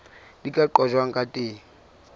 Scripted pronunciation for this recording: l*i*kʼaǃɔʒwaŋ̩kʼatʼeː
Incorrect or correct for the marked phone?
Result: correct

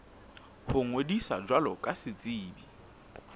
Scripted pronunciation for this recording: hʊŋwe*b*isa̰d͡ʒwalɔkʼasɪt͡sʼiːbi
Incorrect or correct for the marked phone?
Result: incorrect: d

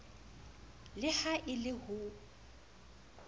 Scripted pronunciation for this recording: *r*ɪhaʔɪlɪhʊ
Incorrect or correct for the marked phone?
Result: incorrect: l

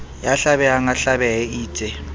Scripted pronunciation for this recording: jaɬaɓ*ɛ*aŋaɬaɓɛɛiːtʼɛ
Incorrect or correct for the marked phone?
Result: correct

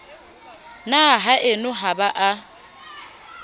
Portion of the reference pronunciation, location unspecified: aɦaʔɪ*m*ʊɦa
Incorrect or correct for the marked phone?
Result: incorrect: n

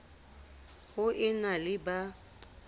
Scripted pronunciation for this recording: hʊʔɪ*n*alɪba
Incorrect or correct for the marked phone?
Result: correct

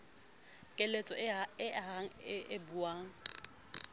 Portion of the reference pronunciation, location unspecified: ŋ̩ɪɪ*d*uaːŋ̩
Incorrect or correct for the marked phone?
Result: incorrect: b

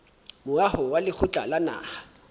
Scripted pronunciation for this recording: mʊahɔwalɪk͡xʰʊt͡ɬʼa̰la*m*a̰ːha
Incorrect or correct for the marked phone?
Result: incorrect: n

